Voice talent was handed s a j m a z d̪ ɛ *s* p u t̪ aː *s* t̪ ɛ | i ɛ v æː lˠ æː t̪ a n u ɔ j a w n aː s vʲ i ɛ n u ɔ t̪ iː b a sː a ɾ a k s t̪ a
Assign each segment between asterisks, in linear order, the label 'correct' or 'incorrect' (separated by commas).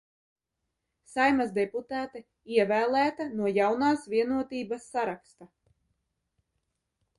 incorrect, incorrect